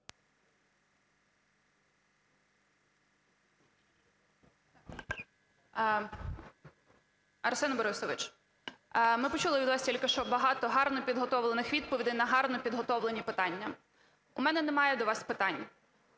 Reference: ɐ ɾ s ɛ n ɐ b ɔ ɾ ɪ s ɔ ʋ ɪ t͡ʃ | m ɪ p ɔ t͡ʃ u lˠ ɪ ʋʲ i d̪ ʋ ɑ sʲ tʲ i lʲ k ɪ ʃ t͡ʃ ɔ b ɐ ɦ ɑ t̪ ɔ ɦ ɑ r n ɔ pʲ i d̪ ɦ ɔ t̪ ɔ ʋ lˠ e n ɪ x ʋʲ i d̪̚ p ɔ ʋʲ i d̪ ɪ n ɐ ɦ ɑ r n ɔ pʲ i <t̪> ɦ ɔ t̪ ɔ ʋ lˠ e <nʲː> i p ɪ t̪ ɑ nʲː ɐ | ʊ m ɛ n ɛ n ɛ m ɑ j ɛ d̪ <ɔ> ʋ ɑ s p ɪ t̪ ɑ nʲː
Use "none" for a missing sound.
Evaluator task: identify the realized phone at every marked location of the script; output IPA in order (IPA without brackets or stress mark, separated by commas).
d̪, nʲ, ɔ